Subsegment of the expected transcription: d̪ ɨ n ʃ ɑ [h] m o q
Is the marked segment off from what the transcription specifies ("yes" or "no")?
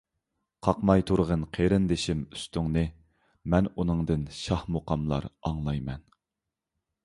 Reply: no